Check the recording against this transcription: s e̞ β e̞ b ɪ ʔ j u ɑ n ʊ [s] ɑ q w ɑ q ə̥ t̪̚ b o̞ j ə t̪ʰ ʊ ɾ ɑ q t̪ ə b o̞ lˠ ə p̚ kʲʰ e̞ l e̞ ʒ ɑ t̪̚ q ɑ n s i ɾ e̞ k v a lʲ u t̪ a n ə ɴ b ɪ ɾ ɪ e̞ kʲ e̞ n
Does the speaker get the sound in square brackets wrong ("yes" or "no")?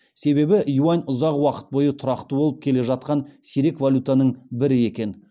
yes